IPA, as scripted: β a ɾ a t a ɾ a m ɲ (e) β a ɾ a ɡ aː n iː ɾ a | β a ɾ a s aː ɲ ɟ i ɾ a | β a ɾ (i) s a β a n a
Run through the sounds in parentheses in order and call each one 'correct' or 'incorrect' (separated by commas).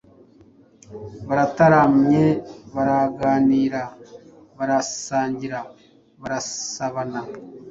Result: correct, incorrect